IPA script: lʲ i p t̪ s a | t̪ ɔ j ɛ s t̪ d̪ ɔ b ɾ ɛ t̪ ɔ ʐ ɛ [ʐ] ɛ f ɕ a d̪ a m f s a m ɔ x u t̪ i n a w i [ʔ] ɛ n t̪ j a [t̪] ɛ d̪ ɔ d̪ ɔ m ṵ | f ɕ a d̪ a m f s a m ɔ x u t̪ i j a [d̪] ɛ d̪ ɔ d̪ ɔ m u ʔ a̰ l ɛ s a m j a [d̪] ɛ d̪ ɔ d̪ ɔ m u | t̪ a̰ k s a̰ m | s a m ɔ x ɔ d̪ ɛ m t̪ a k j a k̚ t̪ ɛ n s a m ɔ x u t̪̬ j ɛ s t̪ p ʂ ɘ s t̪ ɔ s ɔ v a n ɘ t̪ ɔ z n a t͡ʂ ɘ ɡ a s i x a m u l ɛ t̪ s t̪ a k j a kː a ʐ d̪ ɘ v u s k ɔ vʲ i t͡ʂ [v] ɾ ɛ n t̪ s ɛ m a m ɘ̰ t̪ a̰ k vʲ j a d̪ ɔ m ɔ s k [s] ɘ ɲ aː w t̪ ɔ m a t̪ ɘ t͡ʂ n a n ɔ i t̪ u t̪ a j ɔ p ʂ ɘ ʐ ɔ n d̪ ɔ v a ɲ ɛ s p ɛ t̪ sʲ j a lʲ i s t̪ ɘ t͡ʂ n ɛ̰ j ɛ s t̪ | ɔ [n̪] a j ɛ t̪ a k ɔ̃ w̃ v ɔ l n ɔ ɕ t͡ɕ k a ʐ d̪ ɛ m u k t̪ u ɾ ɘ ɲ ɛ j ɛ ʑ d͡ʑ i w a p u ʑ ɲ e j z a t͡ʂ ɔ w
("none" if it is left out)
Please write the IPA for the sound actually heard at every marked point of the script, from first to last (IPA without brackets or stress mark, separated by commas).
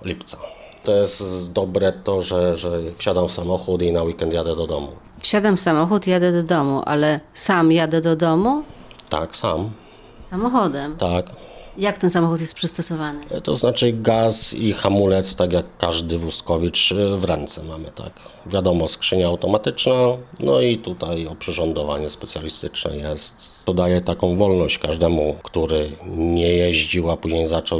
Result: ʐ, k, d̪, d̪, d̪, v, ʂ, d̪